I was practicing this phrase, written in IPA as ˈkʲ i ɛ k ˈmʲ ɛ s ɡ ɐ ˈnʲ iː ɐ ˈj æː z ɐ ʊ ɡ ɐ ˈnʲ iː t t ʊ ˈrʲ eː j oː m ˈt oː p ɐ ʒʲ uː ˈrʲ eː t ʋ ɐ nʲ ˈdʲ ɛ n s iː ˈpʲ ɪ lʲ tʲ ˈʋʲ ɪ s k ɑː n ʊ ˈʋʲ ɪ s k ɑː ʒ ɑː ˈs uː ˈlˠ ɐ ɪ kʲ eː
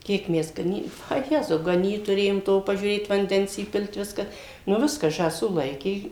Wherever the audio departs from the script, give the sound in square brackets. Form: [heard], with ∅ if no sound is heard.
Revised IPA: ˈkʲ i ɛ k ˈmʲ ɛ s ɡ ɐ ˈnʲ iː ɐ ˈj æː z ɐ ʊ ɡ ɐ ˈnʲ iː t t ʊ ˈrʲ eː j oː m ˈt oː p ɐ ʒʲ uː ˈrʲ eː t ʋ ɐ nʲ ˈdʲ ɛ n s iː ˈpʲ ɪ lʲ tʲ ˈʋʲ ɪ s k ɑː n ʊ ˈʋʲ ɪ s k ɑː ʒ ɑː ˈs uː ˈlˠ ɐ ɪ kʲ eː